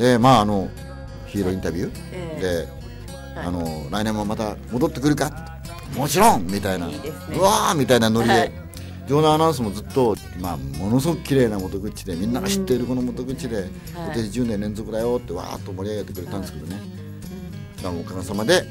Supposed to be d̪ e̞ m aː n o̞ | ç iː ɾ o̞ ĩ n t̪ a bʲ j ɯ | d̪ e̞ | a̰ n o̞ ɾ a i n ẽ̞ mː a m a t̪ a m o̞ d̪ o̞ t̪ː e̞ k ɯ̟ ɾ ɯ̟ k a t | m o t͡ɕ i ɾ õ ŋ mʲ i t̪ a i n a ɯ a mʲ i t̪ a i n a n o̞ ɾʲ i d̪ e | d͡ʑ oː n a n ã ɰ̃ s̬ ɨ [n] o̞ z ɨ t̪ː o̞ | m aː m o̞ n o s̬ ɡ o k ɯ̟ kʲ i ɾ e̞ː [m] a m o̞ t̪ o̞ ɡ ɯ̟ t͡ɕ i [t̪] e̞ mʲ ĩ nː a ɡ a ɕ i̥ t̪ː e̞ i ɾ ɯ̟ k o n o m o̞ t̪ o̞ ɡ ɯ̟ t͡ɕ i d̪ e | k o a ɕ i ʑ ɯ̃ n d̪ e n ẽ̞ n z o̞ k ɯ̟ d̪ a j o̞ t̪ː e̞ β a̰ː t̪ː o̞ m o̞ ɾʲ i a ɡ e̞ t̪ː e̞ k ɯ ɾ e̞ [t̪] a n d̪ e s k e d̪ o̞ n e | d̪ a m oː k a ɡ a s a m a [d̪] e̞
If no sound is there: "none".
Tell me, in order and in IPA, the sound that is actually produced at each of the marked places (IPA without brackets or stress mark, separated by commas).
m, n, d̪, t̪, d̪